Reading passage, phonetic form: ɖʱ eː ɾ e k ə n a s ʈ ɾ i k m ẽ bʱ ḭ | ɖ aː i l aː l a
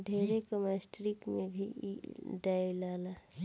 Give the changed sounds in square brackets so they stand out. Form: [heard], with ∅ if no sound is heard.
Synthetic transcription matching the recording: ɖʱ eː ɾ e k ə [m] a s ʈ ɾ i k m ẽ bʱ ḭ | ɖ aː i l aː l a